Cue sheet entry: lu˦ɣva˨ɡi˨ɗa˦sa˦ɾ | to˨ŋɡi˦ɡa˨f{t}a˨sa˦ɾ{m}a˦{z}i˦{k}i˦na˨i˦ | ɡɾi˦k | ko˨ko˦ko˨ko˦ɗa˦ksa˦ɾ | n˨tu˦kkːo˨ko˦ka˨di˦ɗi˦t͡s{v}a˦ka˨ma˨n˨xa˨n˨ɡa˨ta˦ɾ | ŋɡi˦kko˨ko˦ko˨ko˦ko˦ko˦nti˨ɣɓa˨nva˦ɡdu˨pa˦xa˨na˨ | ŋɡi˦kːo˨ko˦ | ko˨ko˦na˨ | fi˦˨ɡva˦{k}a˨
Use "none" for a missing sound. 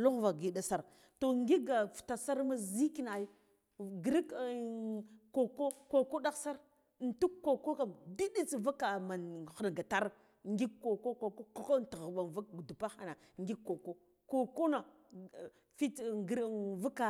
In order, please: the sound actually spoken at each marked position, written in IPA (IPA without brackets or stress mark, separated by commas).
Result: t, m, z, k, v, k